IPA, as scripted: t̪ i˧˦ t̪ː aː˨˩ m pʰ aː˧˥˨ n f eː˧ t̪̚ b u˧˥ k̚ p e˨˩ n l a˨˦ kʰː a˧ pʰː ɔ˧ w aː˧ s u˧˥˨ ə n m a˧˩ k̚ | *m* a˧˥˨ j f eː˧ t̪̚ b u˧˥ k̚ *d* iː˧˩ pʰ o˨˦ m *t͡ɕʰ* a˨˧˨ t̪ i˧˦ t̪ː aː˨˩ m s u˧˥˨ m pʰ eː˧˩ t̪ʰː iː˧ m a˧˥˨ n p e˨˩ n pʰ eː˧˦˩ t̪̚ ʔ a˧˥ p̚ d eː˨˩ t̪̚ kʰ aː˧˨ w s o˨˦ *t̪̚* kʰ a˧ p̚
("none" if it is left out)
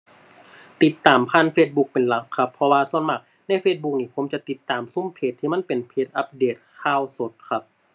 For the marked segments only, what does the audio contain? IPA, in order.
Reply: n, n, t͡ɕ, t̪̚

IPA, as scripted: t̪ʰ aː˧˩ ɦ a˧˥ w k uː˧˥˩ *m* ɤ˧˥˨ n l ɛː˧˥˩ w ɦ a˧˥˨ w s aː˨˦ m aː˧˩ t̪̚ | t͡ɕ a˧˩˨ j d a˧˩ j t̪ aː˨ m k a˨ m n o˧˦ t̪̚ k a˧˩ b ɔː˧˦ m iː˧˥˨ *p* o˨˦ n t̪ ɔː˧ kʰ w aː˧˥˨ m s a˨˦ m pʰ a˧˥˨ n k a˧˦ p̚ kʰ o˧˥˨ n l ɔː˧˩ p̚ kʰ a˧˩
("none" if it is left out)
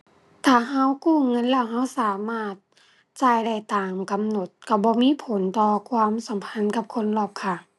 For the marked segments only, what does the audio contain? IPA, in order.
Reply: ŋ, pʰ

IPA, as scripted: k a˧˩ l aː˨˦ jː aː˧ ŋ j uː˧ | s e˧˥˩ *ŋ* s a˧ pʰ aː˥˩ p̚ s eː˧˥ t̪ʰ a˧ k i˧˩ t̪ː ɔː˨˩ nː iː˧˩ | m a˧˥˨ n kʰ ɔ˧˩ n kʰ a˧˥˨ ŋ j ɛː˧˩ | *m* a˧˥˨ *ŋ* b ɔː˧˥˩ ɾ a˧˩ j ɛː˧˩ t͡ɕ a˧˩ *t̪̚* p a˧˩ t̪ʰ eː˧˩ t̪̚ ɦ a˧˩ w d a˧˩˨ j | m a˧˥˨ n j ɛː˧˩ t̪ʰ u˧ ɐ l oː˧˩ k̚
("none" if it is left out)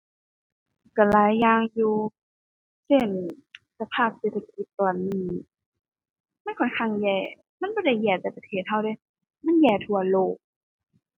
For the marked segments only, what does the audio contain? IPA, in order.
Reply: n, m, n, none

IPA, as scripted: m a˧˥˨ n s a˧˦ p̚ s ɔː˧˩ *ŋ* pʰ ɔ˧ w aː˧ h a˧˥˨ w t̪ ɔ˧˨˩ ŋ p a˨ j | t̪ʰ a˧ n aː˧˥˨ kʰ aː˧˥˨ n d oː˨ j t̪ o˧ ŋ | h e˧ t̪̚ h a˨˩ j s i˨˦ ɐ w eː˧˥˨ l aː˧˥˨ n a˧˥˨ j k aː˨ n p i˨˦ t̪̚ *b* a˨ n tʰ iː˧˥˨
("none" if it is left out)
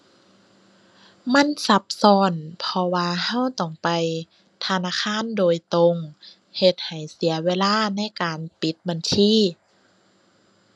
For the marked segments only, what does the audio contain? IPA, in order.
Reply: n, b

